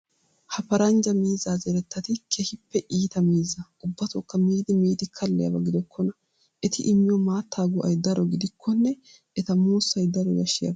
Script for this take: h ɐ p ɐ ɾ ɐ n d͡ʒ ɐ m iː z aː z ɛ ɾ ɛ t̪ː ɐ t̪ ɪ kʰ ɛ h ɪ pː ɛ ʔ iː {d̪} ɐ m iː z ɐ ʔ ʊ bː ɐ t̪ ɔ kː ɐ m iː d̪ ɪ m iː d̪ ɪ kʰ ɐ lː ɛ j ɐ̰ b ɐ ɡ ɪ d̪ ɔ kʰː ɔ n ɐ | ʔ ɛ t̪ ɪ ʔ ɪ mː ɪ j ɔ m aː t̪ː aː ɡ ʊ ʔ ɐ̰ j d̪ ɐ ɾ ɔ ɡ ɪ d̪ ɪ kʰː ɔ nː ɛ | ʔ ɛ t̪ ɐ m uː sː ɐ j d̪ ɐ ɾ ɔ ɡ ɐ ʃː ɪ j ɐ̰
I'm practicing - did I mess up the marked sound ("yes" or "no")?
yes